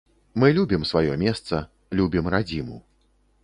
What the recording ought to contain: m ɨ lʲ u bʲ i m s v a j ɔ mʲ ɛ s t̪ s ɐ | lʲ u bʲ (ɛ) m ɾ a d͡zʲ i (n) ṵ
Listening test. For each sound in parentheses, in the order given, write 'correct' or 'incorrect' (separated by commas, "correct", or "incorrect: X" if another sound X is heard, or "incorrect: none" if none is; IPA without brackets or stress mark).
incorrect: i, incorrect: m